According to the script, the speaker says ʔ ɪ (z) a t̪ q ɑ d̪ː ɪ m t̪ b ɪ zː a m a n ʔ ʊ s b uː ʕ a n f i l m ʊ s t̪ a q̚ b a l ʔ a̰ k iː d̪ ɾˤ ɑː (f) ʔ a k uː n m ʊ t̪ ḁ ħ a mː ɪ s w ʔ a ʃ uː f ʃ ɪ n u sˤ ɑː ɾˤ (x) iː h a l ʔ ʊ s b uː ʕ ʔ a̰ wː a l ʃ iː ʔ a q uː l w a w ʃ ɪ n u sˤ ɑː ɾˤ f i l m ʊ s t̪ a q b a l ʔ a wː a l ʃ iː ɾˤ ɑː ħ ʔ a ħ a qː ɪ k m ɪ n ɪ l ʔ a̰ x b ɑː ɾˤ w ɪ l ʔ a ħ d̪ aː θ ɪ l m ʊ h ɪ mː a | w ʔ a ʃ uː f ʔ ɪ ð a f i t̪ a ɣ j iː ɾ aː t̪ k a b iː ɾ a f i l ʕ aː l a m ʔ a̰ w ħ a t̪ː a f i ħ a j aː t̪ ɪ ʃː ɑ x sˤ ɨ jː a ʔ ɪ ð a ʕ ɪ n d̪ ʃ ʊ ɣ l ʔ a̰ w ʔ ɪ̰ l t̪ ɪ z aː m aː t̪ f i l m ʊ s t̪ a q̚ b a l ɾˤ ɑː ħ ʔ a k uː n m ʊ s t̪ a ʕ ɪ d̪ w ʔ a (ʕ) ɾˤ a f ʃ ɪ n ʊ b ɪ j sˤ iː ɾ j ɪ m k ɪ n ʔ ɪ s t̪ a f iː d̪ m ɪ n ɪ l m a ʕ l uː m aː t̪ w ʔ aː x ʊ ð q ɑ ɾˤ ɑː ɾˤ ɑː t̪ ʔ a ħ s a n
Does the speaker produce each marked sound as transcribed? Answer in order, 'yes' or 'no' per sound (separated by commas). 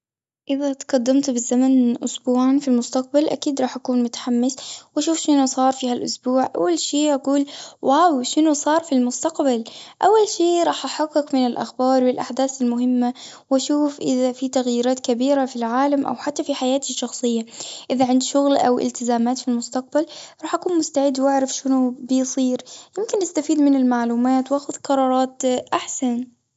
no, no, no, yes